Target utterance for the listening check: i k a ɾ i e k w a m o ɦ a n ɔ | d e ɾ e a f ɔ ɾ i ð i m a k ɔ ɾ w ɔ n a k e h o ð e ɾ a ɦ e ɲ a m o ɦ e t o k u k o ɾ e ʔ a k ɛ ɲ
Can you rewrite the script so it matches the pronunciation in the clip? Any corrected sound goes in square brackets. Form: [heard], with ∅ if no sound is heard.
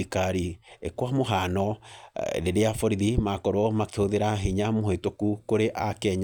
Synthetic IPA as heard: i k a ɾ i e k w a m o ɦ a n ɔ | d e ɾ e a f ɔ ɾ i ð i m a k ɔ ɾ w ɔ [m] a k e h o ð e ɾ a ɦ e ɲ a m o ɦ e t o k u k o ɾ e ʔ a k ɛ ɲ

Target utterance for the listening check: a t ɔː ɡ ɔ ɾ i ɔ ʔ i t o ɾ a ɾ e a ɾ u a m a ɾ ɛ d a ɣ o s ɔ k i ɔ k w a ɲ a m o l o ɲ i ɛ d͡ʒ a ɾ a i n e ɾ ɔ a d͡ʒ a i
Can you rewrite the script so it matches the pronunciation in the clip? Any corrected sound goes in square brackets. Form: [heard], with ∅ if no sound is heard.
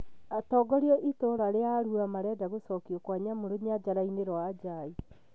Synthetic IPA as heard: a t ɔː ɡ ɔ ɾ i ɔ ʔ i t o ɾ a ɾ e a ɾ u a m a ɾ ɛ d a ɣ o s ɔ k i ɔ k w a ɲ a m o [ɾ] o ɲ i [a] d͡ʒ a ɾ a i n e ɾ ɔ a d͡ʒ a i

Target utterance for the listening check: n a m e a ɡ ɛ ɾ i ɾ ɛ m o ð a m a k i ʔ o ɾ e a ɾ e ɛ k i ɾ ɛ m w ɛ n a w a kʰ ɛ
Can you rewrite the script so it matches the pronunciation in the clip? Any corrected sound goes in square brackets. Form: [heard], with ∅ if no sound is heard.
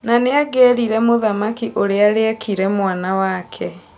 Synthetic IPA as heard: n a [n] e a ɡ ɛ ɾ i ɾ ɛ m o ð a m a k i ʔ o ɾ e a ɾ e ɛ k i ɾ ɛ m w [a] n a w a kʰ ɛ

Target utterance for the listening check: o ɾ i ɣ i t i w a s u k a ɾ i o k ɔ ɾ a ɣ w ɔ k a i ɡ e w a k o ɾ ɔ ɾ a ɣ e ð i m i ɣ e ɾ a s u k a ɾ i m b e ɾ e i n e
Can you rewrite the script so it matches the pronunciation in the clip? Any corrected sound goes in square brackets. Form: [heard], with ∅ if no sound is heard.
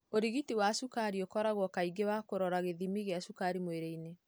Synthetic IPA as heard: o ɾ i ɣ i t i w a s u k a ɾ i o k ɔ ɾ a ɣ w ɔ k a i ɡ e w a k o ɾ ɔ ɾ a ɣ e ð i m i ɣ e [∅] a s u k a ɾ i m [w] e ɾ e i n e

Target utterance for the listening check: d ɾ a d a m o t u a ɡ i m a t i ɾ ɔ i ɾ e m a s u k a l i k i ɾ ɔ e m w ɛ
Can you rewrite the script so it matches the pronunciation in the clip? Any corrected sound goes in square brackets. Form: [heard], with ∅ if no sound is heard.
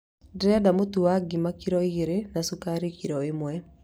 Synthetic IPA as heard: d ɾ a d a m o t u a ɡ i m a [k] i ɾ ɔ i ɾ e [n] a s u k a [ɾ] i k i ɾ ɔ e m w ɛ

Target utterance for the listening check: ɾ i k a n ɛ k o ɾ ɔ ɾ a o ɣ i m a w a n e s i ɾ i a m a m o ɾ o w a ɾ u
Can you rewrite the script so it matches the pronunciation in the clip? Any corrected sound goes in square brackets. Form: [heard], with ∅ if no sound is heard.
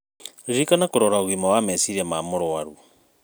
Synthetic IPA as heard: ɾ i k a n [a] k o ɾ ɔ ɾ a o ɣ i m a w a [m] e s i ɾ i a m a m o ɾ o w a ɾ u

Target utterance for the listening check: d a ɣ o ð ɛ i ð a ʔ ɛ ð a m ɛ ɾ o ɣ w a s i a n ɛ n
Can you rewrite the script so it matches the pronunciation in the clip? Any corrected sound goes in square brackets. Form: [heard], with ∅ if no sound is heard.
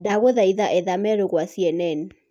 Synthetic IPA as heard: d a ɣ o ð [a] i ð a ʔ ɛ ð a m ɛ ɾ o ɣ w a s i [ɛ] n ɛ n

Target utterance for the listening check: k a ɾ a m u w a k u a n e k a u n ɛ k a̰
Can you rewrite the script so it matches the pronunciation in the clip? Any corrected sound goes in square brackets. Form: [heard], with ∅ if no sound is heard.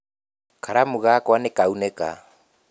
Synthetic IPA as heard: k a ɾ a m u [ɣ] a k [w] a n e k a u n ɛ k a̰

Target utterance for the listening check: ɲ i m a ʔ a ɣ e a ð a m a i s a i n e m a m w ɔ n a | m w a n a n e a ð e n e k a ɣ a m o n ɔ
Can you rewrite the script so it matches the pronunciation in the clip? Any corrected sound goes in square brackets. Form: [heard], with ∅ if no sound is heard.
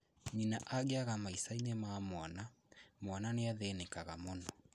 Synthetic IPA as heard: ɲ i [n] a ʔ a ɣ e a [ɣ] a m a i s a i n e m a m w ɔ n a | m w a n a n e a ð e n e k a ɣ a m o n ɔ

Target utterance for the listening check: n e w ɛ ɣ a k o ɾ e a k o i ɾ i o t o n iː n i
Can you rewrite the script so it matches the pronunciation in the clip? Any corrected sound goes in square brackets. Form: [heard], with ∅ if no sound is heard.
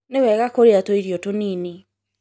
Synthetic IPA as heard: n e w ɛ ɣ a k o ɾ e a [t] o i ɾ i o t o n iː n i

